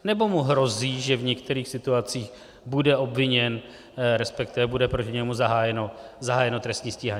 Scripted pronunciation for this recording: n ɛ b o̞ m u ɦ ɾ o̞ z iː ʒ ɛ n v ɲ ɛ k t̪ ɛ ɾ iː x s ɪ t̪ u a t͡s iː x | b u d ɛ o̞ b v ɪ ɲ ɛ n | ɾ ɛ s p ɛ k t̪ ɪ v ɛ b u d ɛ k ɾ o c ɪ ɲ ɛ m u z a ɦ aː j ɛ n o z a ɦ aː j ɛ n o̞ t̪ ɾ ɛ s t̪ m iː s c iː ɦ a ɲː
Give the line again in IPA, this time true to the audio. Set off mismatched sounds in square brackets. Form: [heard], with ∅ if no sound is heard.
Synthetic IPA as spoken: n ɛ b o̞ m u ɦ ɾ o̞ z iː ʒ ɛ [∅] v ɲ ɛ k t̪ ɛ ɾ iː x s ɪ t̪ u a t͡s iː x | b u d ɛ o̞ b v ɪ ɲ ɛ n | ɾ ɛ s p ɛ k t̪ ɪ v ɛ b u d ɛ [p] ɾ o c ɪ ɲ ɛ m u z a ɦ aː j ɛ n o z a ɦ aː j ɛ n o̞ t̪ ɾ ɛ s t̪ [ɲ] iː s c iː ɦ a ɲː